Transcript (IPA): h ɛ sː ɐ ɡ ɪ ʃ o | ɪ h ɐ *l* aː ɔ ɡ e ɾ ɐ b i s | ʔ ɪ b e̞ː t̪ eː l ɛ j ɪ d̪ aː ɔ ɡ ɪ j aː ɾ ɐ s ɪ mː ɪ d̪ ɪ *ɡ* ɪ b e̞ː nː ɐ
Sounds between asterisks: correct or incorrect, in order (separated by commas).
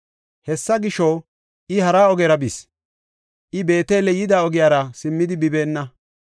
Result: incorrect, incorrect